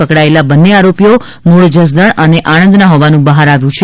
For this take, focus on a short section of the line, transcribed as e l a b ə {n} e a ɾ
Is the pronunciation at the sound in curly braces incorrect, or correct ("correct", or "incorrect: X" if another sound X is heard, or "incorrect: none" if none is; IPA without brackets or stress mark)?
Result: incorrect: nː